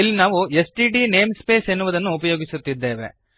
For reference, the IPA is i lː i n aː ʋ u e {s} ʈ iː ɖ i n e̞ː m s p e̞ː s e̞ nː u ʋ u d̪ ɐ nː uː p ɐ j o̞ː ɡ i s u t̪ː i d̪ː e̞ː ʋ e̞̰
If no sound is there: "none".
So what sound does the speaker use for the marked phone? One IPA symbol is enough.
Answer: s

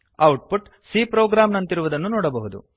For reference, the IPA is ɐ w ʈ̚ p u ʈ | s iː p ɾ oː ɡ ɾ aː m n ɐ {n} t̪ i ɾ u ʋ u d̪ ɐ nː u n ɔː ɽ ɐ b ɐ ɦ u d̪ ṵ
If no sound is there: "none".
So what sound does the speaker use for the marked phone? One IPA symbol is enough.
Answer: n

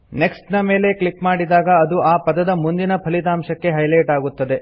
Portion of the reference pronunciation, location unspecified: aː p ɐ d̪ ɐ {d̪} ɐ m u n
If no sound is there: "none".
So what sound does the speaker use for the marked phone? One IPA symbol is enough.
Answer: d̪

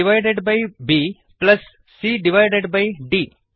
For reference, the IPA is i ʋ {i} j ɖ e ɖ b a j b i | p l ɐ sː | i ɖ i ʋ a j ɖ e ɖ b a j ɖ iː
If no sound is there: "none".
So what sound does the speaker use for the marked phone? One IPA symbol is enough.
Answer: a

